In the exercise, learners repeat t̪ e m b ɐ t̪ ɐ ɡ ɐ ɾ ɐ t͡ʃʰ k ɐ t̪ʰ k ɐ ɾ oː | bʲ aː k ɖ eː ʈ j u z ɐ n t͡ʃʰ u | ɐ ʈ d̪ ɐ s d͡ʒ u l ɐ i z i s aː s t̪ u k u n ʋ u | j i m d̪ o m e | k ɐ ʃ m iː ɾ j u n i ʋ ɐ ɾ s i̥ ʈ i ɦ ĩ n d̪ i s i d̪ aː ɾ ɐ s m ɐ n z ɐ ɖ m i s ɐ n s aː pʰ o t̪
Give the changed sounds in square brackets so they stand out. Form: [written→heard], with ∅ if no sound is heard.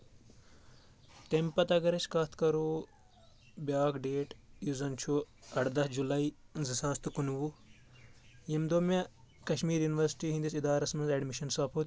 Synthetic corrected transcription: t̪ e m [b→p] ɐ t̪ ɐ ɡ ɐ ɾ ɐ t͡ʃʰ k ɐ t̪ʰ k ɐ ɾ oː | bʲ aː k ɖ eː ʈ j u z ɐ n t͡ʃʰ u | ɐ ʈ d̪ ɐ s d͡ʒ u l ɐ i z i s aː s t̪ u k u n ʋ u | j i m d̪ o m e | k ɐ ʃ m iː ɾ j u n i ʋ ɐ ɾ s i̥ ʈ i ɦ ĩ n d̪ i s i d̪ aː ɾ ɐ s m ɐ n z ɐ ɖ m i [s→ʃ] ɐ n s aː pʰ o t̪